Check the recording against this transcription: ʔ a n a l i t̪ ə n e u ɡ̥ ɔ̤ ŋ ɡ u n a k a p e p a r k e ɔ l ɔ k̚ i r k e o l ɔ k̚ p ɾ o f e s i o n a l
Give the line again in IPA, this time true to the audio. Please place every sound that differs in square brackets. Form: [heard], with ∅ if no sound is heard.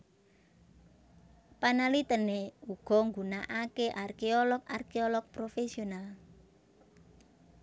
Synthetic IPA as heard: [p] a n a l i t̪ ə n e u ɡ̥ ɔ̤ ŋ ɡ u n a [ʔ] a [k] e [ʔ] a r k e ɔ l ɔ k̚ [a] r k e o l ɔ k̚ p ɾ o f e s i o n a l